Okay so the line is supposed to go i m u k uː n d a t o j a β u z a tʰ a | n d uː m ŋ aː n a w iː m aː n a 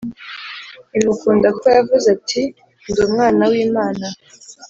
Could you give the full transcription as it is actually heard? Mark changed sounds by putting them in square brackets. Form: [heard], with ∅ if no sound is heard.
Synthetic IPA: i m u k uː n d a [k] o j a [v] u z a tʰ [i] | n d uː m ŋ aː n a w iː m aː n a

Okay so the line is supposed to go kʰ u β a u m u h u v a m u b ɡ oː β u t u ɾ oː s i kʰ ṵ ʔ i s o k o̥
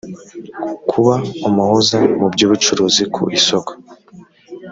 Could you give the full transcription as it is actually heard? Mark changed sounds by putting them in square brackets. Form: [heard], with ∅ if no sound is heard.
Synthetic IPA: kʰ u β a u m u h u [z] a m u b [ɟ] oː β u [t͡ʃ] u ɾ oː [z] i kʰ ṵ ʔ i s o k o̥

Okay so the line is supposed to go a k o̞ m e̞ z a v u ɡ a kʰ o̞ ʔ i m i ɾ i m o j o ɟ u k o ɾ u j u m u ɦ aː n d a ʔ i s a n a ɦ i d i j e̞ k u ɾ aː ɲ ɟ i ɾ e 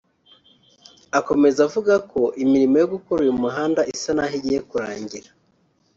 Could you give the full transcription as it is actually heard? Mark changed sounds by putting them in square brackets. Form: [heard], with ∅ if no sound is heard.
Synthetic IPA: a k o̞ m e̞ z a v u ɡ a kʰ o̞ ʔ i m i ɾ i m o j o [ɡ] u k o ɾ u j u m u ɦ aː n d a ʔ i s a n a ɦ i [ɟ] i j e̞ k u ɾ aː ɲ ɟ i ɾ [a]

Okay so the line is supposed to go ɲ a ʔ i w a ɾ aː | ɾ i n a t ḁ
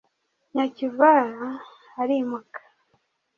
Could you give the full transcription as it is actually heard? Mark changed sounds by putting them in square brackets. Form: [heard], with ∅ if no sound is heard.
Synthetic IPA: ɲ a [c] i [v] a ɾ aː | ɾ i [m] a [k] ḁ

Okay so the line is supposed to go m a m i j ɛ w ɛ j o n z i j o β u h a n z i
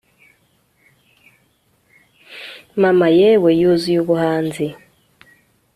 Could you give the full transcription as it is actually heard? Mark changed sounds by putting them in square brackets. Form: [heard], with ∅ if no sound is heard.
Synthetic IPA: m a m [a] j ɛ w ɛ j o [∅] z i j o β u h a n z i

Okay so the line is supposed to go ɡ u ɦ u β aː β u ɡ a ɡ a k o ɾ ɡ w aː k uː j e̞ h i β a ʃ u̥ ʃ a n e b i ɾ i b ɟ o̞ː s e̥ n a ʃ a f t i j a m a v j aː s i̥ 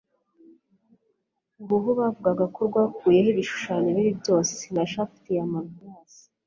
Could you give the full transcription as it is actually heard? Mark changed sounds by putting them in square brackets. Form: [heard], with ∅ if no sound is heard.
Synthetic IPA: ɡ u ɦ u β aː [v] u ɡ a ɡ a k o ɾ ɡ w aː k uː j e̞ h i β [i] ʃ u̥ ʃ a n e [β] i ɾ i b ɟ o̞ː s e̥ n a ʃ a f t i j a m a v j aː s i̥

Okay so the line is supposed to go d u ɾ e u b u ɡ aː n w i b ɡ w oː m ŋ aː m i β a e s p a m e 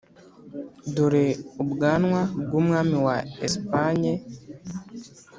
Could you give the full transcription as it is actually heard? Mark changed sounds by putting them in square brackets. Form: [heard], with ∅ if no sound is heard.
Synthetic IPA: d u ɾ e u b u ɡ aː n w [a] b ɡ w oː m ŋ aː m i [w] a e s p a [ɲ] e

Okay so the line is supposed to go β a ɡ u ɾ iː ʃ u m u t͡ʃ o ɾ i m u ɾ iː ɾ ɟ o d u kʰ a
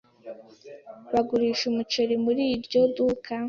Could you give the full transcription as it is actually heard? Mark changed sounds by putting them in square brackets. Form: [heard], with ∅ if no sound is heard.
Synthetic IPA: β a ɡ u ɾ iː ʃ u m u t͡ʃ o ɾ i m u ɾ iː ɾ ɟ o d u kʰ a

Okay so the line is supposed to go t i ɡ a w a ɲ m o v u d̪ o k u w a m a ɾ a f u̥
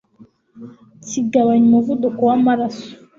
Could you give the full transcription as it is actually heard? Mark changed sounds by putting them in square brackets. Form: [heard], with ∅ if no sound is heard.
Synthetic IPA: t i ɡ a w a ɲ m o v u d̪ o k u w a m a ɾ a [s] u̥

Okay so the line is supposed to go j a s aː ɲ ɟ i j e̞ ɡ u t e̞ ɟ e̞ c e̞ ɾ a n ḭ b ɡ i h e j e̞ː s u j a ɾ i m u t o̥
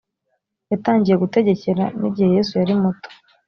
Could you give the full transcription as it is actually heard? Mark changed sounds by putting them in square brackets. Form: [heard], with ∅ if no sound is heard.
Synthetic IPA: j a [t] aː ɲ ɟ i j e̞ ɡ u t e̞ ɟ e̞ c e̞ ɾ a n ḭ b [ɟ] i h e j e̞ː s u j a ɾ i m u t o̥

